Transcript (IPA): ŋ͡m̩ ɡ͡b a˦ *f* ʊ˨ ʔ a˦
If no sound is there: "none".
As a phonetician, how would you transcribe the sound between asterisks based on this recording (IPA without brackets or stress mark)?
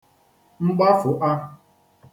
f